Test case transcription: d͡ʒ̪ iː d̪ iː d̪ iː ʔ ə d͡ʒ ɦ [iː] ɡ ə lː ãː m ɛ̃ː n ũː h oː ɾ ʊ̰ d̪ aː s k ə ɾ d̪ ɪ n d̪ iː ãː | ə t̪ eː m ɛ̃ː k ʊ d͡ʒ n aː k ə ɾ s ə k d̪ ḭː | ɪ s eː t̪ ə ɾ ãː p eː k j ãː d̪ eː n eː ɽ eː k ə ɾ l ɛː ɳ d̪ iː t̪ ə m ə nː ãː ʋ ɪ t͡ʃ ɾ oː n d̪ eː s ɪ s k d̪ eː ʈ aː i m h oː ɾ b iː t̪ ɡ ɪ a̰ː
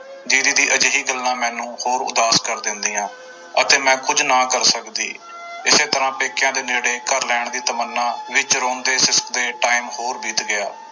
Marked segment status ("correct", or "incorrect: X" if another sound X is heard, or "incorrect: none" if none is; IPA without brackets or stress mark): correct